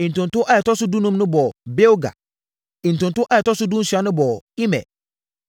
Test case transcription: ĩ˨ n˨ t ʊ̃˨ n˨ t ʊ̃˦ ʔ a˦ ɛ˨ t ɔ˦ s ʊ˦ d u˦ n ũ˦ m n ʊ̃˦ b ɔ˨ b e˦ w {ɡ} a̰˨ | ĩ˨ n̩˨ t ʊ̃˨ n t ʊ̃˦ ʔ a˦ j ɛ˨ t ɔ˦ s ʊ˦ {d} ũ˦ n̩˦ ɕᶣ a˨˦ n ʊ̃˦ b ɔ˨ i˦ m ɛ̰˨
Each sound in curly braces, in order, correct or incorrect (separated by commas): correct, correct